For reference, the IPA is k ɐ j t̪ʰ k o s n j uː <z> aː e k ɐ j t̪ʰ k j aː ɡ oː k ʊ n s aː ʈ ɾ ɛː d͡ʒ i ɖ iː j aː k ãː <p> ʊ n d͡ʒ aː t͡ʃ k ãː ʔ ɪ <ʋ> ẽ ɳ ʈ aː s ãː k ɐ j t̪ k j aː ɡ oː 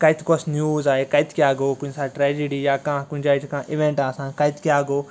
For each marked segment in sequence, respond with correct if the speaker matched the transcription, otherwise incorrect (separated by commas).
correct, incorrect, correct